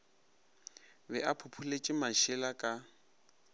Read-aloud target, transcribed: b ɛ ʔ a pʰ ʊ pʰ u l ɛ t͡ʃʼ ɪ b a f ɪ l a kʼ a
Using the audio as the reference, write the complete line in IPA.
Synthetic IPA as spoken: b ɛ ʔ a pʰ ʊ pʰ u l e t͡ʃʼ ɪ m a ʃ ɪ l a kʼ a